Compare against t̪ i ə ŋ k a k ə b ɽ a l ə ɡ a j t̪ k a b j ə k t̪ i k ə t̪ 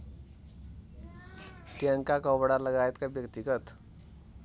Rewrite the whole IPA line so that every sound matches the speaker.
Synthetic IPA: t̪ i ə ŋ k a k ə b ɽ a l ə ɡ a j t̪ k a b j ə k t̪ i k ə t̪